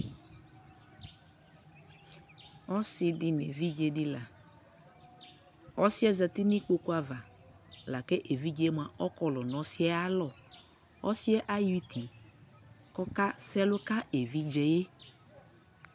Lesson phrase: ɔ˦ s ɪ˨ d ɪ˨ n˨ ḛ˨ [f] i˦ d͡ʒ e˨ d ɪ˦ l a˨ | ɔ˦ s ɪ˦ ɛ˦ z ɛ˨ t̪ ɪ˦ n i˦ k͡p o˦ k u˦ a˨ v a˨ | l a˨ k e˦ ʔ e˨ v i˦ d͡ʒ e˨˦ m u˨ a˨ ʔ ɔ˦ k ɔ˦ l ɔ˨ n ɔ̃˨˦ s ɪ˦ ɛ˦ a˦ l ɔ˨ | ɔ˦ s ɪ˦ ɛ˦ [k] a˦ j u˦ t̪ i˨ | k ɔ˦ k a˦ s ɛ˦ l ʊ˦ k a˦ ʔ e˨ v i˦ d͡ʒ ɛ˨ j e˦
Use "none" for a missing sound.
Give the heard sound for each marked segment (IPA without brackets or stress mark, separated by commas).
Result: v, ʔ